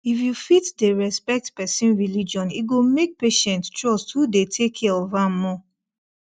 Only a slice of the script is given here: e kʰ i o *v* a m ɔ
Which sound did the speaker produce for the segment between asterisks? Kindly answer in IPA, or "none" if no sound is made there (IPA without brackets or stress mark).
v